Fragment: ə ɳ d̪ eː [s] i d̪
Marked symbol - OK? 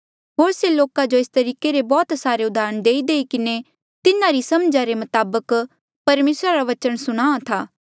no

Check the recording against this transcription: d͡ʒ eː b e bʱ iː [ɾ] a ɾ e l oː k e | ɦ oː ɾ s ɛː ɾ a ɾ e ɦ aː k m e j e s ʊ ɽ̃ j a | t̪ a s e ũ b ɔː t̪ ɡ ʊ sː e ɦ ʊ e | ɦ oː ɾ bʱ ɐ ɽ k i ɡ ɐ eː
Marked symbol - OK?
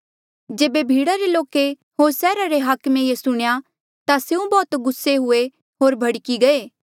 no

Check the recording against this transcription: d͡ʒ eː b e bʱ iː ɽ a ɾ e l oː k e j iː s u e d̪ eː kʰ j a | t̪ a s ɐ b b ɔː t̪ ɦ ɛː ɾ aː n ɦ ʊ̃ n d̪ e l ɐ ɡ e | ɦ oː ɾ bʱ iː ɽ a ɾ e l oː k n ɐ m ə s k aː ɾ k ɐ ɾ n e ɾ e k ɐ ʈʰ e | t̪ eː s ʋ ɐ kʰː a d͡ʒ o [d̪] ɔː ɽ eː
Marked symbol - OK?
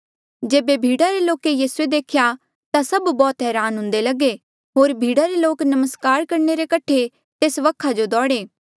yes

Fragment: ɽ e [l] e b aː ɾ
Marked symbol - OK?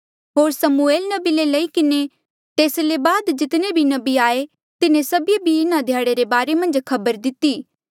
no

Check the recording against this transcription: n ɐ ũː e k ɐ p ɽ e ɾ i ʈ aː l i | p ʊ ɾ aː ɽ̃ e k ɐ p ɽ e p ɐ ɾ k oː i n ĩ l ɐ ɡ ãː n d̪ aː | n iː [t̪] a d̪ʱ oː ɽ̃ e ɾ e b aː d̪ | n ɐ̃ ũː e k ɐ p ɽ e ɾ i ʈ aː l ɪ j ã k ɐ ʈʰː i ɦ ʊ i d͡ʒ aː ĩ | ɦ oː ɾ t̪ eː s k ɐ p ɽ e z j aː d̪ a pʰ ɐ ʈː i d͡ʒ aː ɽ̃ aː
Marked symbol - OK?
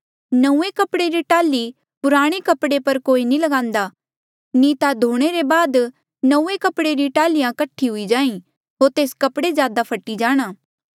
yes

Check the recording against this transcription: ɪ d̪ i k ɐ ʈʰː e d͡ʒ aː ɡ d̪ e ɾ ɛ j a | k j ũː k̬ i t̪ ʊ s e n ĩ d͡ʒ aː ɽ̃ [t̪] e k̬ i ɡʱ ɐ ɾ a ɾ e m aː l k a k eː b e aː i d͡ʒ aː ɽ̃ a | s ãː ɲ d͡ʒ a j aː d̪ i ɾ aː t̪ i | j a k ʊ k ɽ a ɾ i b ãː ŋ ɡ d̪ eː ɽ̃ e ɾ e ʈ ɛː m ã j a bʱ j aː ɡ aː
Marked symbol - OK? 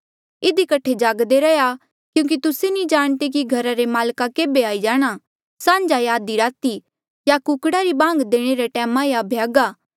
yes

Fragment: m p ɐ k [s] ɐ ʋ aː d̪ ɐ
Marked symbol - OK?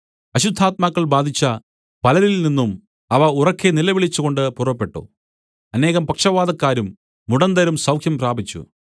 no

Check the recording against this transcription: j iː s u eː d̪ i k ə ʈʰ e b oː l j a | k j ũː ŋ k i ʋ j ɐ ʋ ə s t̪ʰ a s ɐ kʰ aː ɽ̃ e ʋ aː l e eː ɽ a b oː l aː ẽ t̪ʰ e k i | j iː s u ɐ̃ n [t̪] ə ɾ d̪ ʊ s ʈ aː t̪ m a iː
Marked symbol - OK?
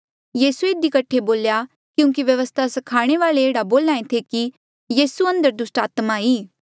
no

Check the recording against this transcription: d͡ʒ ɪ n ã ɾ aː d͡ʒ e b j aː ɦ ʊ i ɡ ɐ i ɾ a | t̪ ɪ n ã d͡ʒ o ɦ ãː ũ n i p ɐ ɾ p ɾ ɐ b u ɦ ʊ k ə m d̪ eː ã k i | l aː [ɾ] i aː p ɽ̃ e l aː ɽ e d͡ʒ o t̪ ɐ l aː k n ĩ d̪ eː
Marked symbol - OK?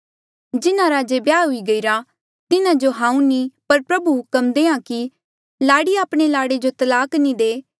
no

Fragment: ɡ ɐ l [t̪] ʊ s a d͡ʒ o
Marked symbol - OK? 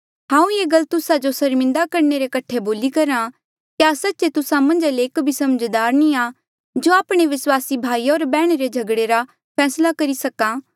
yes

